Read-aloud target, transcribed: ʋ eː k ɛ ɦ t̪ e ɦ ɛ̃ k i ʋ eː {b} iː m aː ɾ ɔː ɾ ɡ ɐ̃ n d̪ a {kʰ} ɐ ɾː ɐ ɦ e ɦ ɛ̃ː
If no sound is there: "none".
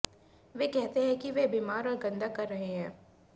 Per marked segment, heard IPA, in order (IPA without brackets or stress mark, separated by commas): b, k